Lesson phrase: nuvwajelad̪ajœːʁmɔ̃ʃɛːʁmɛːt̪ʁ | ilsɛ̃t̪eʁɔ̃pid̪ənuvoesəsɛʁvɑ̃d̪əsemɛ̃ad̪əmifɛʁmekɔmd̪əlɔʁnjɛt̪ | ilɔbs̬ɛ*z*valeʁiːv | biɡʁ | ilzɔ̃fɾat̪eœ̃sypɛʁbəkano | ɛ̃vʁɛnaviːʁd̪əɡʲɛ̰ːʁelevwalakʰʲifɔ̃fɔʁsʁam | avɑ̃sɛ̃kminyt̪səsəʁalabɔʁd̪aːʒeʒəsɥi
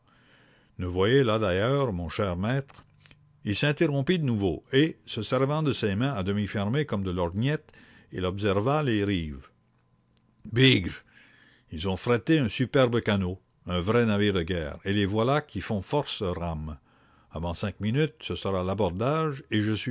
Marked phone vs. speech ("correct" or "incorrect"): incorrect